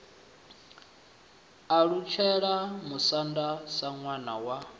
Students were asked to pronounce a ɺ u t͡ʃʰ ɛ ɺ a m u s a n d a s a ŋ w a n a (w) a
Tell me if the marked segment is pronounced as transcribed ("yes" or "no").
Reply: yes